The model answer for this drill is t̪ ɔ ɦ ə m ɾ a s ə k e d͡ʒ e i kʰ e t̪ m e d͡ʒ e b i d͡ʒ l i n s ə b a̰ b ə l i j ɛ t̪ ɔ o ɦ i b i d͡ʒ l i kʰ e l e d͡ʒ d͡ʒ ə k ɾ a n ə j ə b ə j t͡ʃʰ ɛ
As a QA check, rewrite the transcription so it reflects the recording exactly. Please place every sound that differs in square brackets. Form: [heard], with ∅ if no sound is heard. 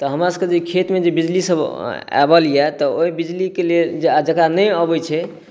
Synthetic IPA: t̪ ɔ ɦ ə m ɾ a s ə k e d͡ʒ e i kʰ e t̪ m e d͡ʒ e b i d͡ʒ l i [∅] s ə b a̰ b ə l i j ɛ t̪ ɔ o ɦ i b i d͡ʒ l i [k] e l e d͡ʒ d͡ʒ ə k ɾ a n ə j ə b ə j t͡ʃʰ ɛ